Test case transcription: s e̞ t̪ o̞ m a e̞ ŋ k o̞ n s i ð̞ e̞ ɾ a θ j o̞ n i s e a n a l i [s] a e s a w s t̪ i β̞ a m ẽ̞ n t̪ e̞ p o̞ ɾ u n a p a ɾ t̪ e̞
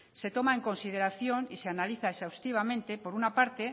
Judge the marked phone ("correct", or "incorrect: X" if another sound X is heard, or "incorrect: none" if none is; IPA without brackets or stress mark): incorrect: θ